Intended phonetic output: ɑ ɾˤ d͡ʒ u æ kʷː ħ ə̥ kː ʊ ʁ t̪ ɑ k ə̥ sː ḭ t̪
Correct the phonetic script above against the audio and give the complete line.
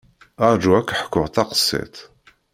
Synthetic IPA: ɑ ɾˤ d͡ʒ u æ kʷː ħ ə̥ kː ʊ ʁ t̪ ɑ q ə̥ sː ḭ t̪